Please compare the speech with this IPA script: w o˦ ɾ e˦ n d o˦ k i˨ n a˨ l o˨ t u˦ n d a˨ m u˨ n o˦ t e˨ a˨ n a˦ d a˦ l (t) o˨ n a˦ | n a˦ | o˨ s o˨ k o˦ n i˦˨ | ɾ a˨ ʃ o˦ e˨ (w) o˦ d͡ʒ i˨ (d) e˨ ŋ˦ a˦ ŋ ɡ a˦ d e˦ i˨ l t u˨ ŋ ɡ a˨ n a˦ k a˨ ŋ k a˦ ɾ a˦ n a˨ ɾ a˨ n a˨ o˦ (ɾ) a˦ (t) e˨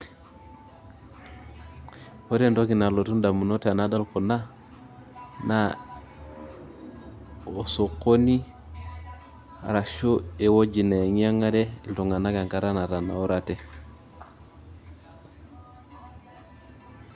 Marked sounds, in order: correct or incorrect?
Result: incorrect: k, correct, incorrect: n, correct, correct

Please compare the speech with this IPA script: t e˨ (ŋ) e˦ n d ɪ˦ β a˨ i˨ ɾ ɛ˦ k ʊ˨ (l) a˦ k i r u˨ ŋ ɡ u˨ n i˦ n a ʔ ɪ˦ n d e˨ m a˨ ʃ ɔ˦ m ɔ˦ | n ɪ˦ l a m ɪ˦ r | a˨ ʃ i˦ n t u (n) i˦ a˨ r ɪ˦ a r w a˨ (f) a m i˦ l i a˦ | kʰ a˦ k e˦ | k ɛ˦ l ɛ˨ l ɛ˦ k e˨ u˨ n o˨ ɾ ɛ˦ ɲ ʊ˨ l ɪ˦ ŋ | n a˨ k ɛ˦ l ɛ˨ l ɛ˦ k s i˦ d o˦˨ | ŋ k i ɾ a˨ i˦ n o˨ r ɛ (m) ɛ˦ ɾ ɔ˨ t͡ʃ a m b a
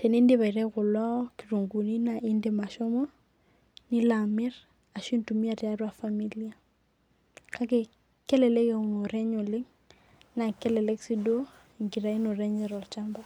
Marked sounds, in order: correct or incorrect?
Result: incorrect: n, correct, incorrect: m, correct, incorrect: ɲ

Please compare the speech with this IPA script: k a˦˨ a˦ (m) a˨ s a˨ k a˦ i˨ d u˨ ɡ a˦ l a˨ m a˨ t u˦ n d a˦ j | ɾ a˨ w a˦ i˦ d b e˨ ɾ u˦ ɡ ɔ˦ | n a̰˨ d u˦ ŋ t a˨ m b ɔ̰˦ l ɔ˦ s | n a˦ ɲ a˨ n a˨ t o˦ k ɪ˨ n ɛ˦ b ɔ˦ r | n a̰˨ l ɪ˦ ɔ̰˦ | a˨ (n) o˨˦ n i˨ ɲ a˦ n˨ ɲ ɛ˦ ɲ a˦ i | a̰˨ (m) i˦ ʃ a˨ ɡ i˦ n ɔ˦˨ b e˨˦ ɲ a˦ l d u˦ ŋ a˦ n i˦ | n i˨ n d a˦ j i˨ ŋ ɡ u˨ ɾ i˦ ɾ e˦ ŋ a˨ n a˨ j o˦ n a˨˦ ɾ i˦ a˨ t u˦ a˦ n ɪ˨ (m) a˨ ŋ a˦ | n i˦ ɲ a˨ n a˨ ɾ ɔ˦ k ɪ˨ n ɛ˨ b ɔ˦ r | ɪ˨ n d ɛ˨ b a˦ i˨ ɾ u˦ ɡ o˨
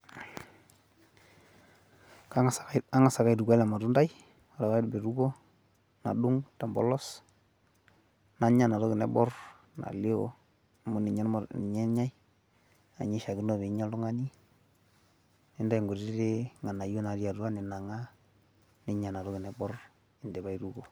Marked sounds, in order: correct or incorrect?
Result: incorrect: ŋ, incorrect: m, incorrect: ɲ, incorrect: n

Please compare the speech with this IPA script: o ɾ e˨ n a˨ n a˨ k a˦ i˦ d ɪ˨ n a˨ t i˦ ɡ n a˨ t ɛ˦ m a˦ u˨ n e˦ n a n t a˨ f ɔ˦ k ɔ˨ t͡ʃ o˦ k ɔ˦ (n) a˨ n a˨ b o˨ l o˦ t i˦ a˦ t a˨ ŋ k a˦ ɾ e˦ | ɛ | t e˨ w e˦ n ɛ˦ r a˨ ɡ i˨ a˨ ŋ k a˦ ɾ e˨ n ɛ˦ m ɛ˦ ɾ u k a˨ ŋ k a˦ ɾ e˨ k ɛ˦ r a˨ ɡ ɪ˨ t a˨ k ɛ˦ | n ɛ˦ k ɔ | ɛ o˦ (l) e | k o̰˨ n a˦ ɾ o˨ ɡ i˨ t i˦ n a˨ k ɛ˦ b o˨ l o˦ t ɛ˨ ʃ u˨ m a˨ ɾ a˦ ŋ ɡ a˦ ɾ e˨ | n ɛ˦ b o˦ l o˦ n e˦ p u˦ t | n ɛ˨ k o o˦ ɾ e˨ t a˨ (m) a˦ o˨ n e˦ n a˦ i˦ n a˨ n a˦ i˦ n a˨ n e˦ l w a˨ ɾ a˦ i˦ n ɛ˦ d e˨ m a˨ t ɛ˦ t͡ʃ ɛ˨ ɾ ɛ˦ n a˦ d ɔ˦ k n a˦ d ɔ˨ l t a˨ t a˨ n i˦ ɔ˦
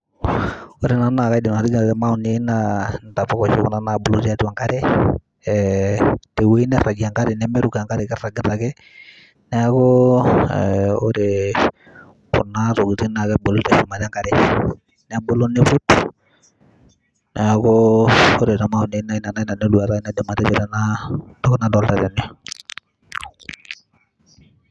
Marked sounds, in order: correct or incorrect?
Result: correct, incorrect: ɾ, correct

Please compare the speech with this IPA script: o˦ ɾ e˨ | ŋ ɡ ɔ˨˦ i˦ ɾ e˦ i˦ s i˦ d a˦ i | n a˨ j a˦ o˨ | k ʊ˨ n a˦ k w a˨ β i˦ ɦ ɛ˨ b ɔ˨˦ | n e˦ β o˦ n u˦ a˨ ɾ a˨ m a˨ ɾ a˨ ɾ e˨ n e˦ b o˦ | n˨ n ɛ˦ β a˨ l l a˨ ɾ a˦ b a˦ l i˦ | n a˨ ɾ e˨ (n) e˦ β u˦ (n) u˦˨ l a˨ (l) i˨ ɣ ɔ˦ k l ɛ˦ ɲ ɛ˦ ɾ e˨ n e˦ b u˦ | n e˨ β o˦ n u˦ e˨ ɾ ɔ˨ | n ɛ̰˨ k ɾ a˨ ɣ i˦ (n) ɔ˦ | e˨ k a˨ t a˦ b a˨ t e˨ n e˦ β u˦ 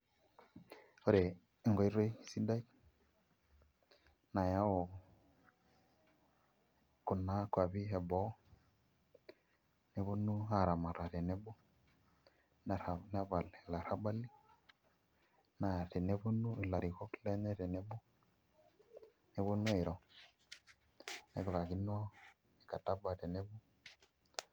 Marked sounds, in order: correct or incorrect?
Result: correct, correct, incorrect: ɾ, correct

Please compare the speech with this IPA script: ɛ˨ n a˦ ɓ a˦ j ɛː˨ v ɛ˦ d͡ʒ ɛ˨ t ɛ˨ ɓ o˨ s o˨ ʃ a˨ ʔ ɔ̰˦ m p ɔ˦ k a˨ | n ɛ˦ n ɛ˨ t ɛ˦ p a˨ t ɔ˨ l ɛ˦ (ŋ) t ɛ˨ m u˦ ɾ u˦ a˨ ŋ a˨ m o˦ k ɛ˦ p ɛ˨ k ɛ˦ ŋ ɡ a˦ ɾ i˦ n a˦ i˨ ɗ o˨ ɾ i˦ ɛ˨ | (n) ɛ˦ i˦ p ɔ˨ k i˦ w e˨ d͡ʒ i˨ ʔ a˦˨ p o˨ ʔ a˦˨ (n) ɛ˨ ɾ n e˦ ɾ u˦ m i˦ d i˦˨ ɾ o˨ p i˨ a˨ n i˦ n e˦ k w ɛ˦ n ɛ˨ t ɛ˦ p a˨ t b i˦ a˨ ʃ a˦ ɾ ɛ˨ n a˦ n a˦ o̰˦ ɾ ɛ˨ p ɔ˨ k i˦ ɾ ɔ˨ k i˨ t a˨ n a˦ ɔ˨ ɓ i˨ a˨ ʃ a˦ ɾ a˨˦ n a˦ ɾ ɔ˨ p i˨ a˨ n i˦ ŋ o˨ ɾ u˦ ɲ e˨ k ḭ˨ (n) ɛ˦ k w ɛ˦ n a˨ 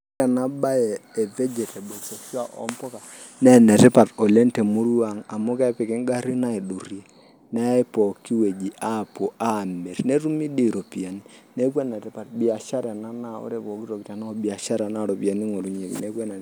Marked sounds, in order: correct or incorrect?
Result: incorrect: n, correct, incorrect: m, correct

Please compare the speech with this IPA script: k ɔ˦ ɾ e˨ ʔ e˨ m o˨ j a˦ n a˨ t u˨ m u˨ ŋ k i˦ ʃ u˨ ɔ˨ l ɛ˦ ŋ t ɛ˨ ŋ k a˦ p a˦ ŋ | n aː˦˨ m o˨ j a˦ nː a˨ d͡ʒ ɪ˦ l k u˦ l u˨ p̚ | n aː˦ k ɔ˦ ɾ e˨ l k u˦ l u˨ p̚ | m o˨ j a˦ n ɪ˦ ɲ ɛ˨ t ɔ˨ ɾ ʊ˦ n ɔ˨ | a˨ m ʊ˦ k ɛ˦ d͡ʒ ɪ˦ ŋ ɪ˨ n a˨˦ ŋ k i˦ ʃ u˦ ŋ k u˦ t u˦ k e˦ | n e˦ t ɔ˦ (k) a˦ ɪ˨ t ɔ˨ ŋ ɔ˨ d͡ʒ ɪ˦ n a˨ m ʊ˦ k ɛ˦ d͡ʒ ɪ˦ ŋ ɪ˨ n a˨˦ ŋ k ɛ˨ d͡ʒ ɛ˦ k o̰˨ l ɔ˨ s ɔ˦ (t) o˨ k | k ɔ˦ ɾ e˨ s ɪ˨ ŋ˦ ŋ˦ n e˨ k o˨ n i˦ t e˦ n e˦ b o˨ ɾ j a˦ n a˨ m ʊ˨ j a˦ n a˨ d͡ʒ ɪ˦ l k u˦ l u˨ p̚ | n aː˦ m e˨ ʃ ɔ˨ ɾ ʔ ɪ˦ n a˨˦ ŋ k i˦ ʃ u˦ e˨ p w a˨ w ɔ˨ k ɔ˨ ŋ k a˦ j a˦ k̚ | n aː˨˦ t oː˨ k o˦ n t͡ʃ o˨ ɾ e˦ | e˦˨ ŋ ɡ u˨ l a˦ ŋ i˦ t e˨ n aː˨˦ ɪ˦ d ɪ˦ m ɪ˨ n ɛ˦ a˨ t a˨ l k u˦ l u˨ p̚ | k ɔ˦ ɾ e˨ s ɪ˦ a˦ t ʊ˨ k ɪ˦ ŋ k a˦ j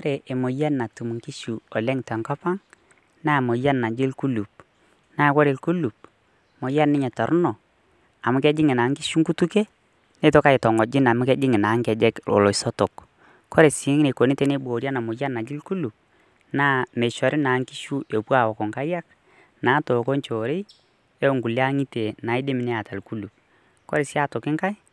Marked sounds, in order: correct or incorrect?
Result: correct, correct

